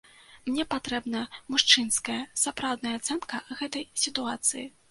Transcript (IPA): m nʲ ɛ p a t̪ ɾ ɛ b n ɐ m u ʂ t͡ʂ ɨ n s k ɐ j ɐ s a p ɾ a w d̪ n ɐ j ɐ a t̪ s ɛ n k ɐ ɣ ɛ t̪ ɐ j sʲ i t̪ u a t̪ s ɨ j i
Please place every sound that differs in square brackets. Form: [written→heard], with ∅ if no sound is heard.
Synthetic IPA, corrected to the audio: m nʲ ɛ p a t̪ ɾ ɛ b n ɐ m u ʂ t͡ʂ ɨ n s k ɐ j ɐ s a p ɾ a w d̪ n ɐ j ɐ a t̪ s ɛ n k ɐ ɣ ɛ t̪ ɐ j sʲ i t̪ u a t̪ s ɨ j i